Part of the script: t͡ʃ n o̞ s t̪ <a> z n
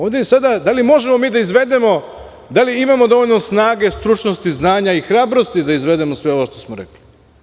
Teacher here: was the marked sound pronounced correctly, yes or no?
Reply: no